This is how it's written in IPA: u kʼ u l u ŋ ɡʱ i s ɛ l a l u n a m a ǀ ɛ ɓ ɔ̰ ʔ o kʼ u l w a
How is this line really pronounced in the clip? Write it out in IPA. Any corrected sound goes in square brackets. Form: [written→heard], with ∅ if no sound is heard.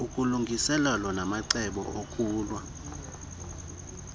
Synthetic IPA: u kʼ u l u ŋ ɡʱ i s ɛ l a l [u→ɔ] n a m a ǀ ɛ ɓ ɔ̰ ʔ o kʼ [u→uː] l w a